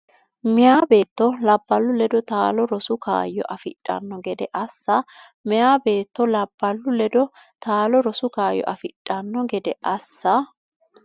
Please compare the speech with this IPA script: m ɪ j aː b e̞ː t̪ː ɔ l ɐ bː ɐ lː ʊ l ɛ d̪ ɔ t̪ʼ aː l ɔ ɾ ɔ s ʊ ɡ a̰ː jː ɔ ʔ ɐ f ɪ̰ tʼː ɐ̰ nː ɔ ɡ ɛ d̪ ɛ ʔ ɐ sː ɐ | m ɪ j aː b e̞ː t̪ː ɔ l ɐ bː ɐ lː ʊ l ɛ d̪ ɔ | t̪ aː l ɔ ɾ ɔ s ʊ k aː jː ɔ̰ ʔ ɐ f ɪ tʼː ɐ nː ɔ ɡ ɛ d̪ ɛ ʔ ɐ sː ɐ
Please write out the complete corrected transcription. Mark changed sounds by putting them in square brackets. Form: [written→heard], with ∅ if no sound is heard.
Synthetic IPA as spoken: m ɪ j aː b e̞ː t̪ː ɔ l ɐ bː ɐ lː ʊ l ɛ d̪ ɔ [t̪ʼ→t̪] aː l ɔ ɾ ɔ s ʊ [ɡ→k] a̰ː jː ɔ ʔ ɐ f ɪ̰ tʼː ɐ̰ nː ɔ ɡ ɛ d̪ ɛ ʔ ɐ sː ɐ | m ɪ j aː b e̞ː t̪ː ɔ l ɐ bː ɐ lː ʊ l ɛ d̪ ɔ | t̪ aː l ɔ ɾ ɔ s ʊ k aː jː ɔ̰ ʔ ɐ f ɪ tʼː ɐ nː ɔ ɡ ɛ d̪ ɛ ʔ ɐ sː ɐ